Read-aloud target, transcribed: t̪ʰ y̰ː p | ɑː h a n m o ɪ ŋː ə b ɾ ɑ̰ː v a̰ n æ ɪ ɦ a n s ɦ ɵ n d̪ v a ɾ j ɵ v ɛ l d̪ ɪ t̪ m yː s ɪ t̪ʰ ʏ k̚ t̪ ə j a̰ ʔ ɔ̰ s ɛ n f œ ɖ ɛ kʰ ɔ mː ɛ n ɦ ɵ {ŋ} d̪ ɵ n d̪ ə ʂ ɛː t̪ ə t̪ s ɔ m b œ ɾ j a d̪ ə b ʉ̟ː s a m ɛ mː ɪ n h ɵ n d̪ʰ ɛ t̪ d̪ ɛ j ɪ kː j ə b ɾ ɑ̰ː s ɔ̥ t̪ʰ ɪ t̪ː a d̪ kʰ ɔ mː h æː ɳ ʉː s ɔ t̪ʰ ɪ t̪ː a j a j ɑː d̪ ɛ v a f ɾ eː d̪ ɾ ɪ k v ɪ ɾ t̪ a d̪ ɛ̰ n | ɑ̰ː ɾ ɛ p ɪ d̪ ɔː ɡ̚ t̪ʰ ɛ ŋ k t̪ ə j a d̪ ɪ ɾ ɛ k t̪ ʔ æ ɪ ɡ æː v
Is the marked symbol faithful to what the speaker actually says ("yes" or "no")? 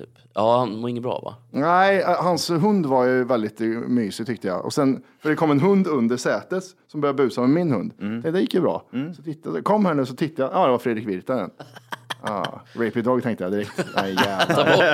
no